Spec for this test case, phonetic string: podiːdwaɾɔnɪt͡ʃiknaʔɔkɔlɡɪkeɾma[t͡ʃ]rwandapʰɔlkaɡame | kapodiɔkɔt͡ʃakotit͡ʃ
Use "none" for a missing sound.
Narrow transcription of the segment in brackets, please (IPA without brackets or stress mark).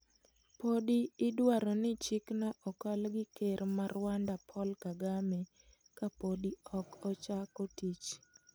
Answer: none